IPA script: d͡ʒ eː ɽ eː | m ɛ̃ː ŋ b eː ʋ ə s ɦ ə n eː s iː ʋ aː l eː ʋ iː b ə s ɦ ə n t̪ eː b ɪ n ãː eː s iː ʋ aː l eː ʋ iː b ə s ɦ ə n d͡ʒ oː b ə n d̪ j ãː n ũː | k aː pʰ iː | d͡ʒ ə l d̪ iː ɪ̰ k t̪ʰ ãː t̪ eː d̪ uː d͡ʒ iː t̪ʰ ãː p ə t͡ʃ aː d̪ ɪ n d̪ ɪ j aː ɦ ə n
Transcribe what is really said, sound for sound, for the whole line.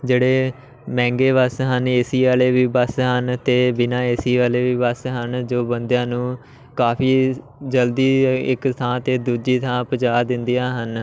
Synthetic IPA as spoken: d͡ʒ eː ɽ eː | m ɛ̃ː ŋ ɡ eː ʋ ə s ɦ ə n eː s iː ʋ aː l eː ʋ iː b ə s ɦ ə n t̪ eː b ɪ n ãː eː s iː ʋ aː l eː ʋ iː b ə s ɦ ə n d͡ʒ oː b ə n d̪ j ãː n ũː | k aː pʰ iː | d͡ʒ ə l d̪ iː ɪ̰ k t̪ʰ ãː t̪ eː d̪ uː d͡ʒ iː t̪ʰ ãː p ə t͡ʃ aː d̪ ɪ n d̪ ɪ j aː ɦ ə n

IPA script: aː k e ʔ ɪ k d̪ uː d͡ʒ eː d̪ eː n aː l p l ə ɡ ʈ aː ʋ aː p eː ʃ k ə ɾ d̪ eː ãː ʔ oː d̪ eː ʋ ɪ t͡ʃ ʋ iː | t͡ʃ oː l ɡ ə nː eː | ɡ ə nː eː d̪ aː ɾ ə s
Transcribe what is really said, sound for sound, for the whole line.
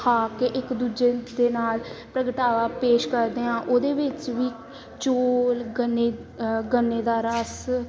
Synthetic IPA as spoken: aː k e ʔ ɪ k d̪ uː d͡ʒ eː d̪ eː n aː l p ɾ ə ɡ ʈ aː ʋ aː p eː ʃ k ə ɾ d̪ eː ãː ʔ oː d̪ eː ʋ ɪ t͡ʃ ʋ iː | t͡ʃ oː l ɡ ə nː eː | ɡ ə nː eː d̪ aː ɾ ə s

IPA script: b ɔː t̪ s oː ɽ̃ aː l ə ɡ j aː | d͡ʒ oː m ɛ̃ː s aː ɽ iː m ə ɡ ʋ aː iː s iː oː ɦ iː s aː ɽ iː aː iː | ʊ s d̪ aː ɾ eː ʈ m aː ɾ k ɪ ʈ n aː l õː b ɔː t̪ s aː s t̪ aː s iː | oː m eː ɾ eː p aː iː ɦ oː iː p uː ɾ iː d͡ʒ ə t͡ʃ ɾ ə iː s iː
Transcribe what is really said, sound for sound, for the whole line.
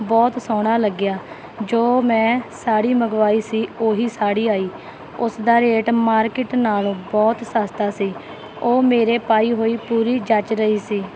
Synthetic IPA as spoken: b ɔː t̪ s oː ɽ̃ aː l ə ɡ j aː | d͡ʒ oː m ɛ̃ː s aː ɽ iː m ə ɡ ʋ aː iː s iː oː ɦ iː s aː ɽ iː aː iː | ʊ s d̪ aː ɾ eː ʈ m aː ɾ k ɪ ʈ n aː l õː b ɔː t̪ s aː s t̪ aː s iː | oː m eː ɾ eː p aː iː ɦ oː iː p uː ɾ iː d͡ʒ ə t͡ʃ ɾ ə iː s iː

